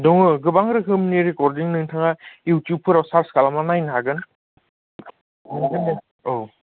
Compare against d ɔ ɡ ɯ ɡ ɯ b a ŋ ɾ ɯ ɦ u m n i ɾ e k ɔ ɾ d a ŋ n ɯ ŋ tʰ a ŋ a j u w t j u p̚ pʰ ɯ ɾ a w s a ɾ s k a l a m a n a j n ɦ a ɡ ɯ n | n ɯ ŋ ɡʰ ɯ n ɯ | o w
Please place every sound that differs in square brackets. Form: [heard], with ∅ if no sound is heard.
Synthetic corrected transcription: d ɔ [ŋ] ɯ ɡ ɯ b a ŋ ɾ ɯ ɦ [ɯ] m n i ɾ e k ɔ ɾ d [i] ŋ n ɯ ŋ tʰ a ŋ a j u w t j u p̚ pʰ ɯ ɾ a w s a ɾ s k a l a m a n a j n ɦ a ɡ ɯ n | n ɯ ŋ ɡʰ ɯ n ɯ | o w